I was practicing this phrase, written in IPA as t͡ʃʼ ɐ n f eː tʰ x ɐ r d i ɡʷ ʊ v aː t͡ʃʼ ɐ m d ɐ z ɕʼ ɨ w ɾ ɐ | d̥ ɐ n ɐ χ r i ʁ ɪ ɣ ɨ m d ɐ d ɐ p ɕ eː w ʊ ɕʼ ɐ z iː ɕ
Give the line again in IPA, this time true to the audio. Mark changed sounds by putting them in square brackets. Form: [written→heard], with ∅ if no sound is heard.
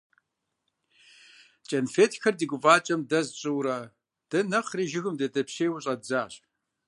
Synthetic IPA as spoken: t͡ʃʼ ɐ n f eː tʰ x ɐ r d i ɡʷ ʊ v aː t͡ʃʼ ɐ m d ɐ z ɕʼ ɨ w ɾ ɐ | d̥ ɐ n ɐ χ r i [ʁ→ʒ] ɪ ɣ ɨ m d ɐ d ɐ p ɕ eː w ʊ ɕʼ ɐ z [iː→aː] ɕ